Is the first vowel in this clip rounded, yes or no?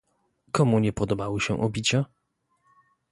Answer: yes